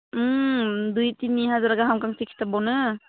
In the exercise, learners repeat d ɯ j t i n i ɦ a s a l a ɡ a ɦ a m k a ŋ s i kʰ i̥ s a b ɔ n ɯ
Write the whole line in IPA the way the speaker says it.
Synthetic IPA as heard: d u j t i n i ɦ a z a ɾ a ɡ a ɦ a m k a ŋ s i kʰ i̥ t a b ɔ n ɯ